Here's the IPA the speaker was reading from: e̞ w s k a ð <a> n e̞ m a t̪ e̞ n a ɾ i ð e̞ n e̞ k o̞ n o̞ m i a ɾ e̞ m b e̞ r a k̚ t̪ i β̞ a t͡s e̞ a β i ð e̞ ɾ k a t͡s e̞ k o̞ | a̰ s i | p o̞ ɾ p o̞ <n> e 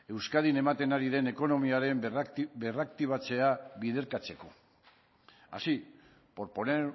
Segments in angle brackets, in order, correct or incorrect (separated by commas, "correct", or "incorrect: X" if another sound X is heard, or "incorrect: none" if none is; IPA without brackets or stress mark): incorrect: i, correct